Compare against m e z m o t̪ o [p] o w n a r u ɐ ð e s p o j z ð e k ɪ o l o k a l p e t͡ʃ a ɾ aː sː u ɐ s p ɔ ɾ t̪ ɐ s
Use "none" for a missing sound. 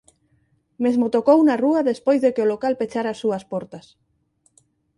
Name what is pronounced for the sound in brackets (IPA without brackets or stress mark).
k